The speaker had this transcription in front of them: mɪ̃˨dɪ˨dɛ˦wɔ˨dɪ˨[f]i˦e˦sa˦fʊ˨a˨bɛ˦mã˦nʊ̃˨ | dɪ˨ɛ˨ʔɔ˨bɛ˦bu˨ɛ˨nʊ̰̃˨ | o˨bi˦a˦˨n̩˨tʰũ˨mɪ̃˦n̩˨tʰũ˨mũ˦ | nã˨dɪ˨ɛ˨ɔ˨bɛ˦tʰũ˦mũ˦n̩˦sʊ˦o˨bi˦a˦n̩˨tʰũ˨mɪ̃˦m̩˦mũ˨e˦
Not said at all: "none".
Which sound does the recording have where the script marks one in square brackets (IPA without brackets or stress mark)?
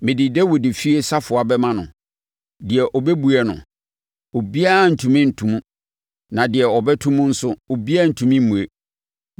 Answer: f